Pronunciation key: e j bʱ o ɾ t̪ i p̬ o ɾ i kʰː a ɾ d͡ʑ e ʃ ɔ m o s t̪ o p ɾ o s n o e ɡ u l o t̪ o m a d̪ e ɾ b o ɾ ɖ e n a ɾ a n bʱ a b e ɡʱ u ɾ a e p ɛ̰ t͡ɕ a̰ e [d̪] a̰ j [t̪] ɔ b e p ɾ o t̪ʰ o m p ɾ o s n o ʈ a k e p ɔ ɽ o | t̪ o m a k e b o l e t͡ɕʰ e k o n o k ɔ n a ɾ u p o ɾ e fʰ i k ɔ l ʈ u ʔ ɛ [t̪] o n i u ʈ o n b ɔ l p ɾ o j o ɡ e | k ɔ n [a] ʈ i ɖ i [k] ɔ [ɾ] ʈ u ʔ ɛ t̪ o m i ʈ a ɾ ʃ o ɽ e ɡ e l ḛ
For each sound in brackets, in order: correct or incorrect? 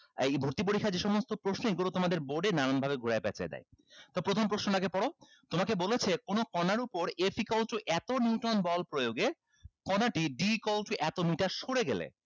correct, correct, correct, correct, correct, incorrect

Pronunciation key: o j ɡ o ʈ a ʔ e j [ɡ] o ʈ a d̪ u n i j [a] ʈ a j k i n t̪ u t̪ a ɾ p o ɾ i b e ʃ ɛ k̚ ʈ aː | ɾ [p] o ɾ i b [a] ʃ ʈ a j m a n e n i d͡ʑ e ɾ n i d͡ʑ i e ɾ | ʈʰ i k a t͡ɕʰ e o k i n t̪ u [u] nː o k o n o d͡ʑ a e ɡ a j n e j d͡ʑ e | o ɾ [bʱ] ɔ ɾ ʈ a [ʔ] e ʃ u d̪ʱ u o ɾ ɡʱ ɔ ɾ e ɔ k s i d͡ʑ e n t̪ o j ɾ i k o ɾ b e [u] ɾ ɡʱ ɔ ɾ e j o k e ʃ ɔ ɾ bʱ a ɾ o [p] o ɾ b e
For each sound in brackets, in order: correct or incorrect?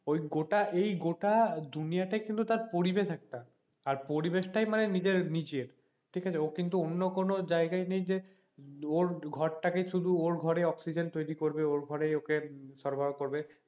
correct, correct, correct, incorrect, incorrect, incorrect, incorrect, incorrect, incorrect

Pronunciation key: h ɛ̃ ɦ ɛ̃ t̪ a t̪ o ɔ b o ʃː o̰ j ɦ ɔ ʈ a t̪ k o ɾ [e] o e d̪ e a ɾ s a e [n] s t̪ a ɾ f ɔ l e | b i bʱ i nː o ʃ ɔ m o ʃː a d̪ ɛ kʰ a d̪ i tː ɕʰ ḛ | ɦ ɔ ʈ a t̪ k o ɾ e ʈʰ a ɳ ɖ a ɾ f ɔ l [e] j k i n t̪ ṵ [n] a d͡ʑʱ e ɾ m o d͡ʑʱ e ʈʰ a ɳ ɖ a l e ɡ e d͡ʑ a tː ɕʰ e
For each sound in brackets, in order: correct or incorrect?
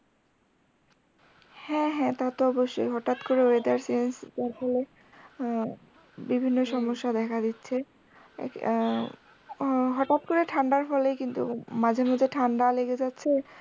correct, correct, correct, incorrect

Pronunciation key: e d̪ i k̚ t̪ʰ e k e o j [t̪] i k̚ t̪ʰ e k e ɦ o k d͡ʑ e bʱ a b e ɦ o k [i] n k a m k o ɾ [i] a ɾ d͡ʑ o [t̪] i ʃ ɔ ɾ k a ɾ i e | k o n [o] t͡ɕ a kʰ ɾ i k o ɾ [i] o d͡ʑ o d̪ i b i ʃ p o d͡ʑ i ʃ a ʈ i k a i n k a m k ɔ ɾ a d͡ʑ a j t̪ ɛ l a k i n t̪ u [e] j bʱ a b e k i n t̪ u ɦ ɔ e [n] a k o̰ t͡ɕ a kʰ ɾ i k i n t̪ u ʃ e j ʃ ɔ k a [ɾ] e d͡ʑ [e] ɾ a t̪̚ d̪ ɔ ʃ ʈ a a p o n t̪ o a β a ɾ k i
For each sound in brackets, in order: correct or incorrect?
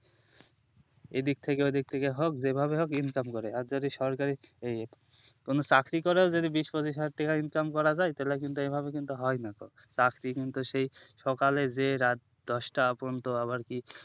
incorrect, correct, incorrect, incorrect, correct, incorrect, correct, correct, incorrect, correct

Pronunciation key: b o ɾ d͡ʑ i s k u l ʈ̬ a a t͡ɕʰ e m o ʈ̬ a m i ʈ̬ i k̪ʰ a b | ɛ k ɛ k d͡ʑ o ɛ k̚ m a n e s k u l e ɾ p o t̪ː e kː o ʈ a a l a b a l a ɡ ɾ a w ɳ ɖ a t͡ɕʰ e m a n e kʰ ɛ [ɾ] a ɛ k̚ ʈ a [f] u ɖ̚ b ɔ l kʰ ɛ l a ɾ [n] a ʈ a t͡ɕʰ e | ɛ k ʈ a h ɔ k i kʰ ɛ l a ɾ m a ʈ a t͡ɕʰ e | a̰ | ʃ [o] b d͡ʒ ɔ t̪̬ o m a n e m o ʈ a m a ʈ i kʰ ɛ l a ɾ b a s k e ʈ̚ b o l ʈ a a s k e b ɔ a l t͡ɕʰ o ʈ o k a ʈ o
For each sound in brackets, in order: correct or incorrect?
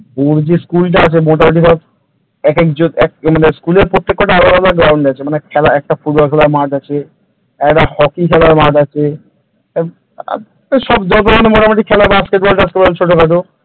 incorrect, correct, incorrect, incorrect

